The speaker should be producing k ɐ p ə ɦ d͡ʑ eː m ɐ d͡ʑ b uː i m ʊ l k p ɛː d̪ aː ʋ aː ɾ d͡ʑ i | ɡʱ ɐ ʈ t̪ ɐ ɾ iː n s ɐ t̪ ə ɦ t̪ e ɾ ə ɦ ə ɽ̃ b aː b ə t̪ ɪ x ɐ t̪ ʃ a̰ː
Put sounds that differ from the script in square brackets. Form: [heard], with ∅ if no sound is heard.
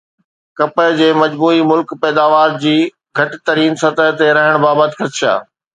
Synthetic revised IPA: k ɐ p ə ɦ d͡ʑ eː m ɐ d͡ʑ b uː i m ʊ l k p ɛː d̪ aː ʋ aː ɾ d͡ʑ [iː] | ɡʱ ɐ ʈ t̪ ɐ ɾ iː n s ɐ t̪ ə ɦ t̪ e ɾ [ɐ] ɦ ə ɽ̃ b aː b ə t̪ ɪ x ɐ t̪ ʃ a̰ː